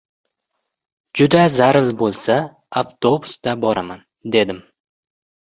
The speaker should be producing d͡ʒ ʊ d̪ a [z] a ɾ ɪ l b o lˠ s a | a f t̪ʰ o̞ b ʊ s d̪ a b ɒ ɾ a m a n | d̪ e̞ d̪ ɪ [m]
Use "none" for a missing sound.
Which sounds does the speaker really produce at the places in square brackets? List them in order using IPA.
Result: z, m

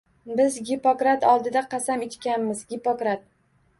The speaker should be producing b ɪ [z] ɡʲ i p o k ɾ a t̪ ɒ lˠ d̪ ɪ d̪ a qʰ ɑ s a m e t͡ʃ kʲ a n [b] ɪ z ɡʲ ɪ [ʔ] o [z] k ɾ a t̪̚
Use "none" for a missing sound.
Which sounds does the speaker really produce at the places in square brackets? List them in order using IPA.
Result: z, m, p, none

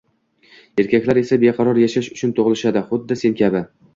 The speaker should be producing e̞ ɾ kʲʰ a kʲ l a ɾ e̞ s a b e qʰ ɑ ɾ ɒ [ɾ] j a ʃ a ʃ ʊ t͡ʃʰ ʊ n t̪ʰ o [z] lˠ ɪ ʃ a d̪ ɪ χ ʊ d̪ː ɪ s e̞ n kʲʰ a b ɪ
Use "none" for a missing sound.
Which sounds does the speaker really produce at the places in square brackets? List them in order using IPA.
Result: ɾ, ʁ

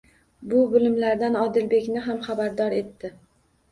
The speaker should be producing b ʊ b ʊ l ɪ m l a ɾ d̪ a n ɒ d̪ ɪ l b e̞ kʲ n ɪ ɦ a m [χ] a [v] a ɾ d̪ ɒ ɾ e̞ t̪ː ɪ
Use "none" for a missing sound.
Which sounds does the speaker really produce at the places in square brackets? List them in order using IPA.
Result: χ, b

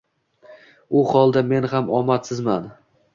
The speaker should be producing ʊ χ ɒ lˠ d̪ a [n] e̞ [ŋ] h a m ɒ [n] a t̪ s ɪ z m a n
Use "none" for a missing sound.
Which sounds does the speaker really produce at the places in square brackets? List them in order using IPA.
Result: m, n, m

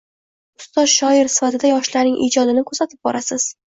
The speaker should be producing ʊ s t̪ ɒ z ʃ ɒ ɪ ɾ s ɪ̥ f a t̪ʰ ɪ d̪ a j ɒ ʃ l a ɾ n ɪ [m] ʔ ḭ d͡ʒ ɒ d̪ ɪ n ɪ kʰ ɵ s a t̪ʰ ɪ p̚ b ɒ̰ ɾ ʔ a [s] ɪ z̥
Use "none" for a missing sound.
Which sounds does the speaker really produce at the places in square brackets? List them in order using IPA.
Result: ŋ, s

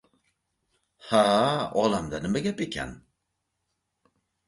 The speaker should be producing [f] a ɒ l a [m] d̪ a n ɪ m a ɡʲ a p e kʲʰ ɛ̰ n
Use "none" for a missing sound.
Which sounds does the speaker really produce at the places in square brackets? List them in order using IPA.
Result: h, m

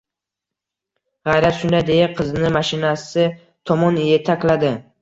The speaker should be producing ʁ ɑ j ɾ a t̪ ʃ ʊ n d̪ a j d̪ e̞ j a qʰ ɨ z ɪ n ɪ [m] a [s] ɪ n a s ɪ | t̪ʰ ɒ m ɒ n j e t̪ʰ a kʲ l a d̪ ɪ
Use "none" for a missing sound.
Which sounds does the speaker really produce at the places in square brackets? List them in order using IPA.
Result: m, ʃ

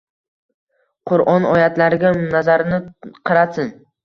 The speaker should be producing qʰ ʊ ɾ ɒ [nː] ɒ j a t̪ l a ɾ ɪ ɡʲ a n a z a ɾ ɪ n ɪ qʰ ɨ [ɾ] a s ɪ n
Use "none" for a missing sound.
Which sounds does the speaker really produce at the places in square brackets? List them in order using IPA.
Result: n, ɾ

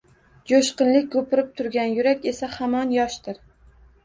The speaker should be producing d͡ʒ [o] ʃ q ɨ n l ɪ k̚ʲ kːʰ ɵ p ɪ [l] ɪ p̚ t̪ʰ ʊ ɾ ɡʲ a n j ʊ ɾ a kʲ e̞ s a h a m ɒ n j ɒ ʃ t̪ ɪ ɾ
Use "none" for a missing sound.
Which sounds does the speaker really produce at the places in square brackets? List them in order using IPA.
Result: o, ɾ

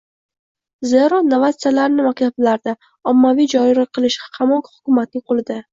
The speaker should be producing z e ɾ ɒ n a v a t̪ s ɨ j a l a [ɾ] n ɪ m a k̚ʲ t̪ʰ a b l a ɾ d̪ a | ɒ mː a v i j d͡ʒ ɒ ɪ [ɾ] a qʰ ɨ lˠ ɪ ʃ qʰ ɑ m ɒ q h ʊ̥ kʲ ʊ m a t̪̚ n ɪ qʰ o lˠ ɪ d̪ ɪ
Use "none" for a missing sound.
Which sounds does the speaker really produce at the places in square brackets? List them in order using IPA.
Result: ɾ, ɾ

